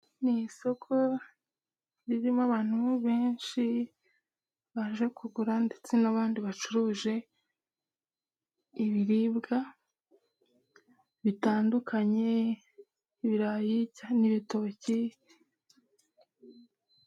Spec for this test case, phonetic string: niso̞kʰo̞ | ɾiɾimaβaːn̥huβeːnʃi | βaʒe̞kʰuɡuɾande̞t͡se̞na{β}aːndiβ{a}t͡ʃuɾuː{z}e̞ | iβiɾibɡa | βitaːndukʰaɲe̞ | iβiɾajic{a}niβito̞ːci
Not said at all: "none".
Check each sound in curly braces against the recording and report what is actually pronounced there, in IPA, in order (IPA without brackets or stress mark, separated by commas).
β, a, ʒ, a